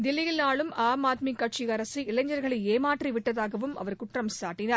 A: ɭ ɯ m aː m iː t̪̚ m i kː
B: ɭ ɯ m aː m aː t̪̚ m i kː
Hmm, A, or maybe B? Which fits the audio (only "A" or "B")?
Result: B